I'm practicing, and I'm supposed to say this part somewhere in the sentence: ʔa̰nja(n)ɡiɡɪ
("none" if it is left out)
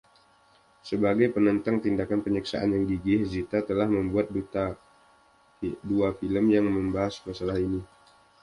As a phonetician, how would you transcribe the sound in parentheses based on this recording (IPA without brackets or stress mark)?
ŋ